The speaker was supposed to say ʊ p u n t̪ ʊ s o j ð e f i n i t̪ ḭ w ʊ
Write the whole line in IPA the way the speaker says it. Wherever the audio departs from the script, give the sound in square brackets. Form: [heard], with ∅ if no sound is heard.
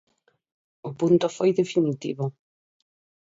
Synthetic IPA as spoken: ʊ p u n t̪ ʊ [f] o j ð e f i n i t̪ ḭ [β] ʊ